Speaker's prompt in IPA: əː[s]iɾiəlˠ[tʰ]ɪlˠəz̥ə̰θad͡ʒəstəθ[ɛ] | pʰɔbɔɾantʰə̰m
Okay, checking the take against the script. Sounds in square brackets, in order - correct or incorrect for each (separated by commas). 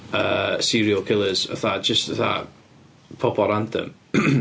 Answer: correct, incorrect, incorrect